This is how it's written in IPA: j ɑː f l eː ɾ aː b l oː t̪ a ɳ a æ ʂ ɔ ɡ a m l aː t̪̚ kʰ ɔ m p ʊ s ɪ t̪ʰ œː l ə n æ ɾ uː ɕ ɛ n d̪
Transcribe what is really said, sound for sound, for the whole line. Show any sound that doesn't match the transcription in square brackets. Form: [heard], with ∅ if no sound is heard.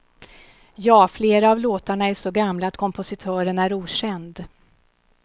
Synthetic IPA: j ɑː f l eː ɾ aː [v] l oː t̪ a ɳ a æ ʂ ɔ ɡ a m l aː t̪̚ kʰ ɔ m p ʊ s ɪ t̪ʰ œː [ɾ] ə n æ ɾ uː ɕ ɛ n d̪